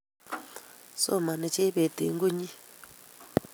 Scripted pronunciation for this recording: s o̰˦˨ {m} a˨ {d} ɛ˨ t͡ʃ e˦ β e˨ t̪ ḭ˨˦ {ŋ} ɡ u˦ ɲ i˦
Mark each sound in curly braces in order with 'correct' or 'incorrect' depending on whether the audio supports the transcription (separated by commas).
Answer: correct, incorrect, correct